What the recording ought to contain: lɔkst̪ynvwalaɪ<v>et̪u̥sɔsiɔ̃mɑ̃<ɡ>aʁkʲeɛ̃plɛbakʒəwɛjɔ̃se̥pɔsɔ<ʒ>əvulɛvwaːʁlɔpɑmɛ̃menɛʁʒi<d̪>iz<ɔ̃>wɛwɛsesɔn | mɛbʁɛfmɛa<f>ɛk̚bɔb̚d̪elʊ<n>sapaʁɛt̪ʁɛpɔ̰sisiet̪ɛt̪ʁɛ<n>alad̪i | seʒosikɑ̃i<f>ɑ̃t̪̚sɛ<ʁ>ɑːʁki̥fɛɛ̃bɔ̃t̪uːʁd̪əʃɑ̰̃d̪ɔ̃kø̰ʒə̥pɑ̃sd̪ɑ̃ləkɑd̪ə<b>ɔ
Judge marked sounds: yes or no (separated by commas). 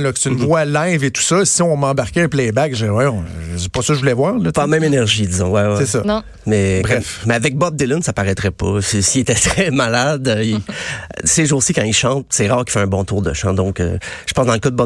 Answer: yes, no, yes, yes, yes, no, yes, no, no, yes, yes